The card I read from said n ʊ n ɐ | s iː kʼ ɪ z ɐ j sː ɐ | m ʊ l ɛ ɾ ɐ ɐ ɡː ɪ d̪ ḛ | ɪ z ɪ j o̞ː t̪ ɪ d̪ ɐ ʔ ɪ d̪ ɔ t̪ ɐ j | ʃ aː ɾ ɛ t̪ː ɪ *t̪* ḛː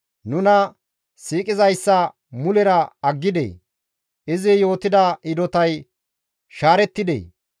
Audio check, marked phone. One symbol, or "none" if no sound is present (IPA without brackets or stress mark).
d̪